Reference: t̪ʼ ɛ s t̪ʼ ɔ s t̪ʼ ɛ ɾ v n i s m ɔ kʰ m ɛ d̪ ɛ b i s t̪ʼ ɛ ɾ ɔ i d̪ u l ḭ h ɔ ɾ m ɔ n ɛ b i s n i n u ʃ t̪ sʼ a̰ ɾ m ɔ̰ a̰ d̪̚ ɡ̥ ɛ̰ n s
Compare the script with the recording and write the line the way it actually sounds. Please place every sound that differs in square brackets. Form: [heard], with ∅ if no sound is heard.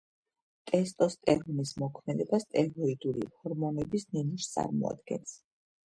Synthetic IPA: t̪ʼ ɛ s t̪ʼ ɔ s t̪ʼ ɛ ɾ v n i s m ɔ kʰ m ɛ d̪ ɛ b [a] s t̪ʼ ɛ ɾ ɔ i d̪ u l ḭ h ɔ ɾ m ɔ n ɛ b i s n i n u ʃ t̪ sʼ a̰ ɾ m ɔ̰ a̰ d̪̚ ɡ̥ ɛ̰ n s